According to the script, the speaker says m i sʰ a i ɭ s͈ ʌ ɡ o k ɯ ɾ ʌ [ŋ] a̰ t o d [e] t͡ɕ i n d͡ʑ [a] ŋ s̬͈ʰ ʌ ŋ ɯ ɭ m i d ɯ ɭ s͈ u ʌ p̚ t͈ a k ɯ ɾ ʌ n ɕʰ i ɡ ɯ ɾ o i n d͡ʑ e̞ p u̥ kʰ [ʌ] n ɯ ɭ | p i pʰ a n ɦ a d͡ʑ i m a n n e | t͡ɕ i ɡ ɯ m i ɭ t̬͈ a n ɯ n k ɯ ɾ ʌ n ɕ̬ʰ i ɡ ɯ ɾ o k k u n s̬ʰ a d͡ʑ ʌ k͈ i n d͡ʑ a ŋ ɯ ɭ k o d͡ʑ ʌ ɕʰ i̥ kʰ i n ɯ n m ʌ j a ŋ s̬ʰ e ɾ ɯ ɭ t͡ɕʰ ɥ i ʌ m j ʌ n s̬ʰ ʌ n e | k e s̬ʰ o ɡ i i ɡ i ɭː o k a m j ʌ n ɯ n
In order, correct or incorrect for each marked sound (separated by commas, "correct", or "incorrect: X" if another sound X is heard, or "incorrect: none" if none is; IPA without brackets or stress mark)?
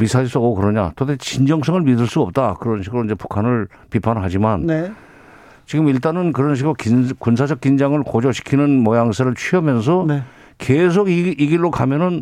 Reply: incorrect: ɲ, correct, incorrect: ʌ, incorrect: a